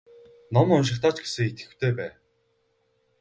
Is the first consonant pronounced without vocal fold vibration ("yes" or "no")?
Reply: no